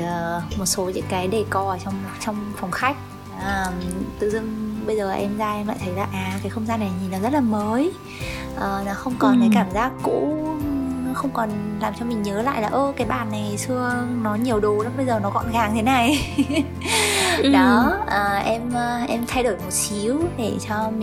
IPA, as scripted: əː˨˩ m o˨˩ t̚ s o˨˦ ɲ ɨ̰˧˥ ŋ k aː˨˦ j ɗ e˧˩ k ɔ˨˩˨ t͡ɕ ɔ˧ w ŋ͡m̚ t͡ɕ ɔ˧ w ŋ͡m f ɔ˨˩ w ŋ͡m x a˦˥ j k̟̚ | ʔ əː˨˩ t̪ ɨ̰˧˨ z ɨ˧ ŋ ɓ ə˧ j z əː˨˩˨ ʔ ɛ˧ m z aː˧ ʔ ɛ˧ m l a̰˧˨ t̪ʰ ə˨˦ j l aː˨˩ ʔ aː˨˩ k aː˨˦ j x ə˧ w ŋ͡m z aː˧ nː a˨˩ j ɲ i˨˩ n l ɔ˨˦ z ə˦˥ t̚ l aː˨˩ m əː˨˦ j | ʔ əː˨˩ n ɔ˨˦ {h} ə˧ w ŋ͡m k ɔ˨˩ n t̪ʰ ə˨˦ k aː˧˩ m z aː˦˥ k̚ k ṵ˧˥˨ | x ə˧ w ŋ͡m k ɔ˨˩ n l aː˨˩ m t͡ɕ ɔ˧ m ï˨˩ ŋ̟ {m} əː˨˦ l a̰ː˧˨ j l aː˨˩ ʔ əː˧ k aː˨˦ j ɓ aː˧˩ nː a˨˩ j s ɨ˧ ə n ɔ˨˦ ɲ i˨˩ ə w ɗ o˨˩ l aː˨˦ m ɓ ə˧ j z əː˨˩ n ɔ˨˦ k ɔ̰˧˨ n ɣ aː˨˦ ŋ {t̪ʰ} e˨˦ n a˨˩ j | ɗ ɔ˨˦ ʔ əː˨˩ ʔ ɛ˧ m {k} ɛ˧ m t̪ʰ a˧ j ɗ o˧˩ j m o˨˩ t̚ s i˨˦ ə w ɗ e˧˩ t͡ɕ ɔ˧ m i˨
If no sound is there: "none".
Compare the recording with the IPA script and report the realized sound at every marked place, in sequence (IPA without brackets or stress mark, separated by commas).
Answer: x, ɲ, t̪ʰ, ʔ